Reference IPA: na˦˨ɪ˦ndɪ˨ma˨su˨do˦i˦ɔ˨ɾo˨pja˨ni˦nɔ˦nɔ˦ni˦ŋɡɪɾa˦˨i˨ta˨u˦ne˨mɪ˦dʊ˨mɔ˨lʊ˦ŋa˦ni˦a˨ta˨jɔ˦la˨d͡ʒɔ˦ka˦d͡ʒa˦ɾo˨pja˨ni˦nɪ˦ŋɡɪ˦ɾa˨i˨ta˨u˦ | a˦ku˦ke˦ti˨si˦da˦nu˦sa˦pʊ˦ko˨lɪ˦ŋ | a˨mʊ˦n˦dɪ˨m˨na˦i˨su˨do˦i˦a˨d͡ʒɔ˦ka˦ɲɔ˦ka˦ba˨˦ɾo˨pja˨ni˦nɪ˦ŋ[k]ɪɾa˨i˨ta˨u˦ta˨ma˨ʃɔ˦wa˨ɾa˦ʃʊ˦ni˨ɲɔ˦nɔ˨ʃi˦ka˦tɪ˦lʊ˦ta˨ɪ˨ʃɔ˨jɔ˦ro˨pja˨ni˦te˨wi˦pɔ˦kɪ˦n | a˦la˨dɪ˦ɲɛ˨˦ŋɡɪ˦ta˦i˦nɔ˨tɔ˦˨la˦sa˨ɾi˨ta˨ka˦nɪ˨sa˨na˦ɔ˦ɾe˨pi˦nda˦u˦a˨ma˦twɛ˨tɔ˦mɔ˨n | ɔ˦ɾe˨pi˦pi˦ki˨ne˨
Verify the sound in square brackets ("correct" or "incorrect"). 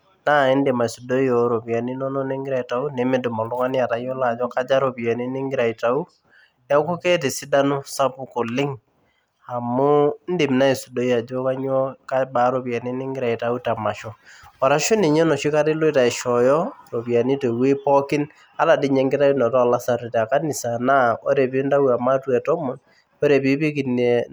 incorrect